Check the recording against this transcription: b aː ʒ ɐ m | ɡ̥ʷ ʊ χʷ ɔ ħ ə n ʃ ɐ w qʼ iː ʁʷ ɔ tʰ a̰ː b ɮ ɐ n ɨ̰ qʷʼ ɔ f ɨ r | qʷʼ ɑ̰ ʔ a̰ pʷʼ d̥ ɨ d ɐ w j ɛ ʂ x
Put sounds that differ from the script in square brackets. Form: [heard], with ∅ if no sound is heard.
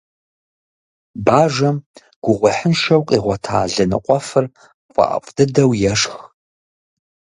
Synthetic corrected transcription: b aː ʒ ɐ m | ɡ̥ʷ ʊ [ʁʷ] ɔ ħ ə n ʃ ɐ w qʼ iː ʁʷ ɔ tʰ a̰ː [∅] ɮ ɐ n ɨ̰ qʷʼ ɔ f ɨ r | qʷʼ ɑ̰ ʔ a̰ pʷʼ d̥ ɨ d ɐ w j ɛ ʂ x